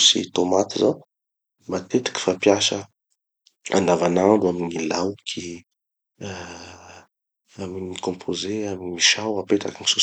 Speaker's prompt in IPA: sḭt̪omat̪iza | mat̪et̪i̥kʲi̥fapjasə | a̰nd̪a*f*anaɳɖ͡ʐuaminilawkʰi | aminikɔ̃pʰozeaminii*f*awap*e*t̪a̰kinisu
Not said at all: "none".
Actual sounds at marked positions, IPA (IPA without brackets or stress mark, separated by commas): v, ʃ, e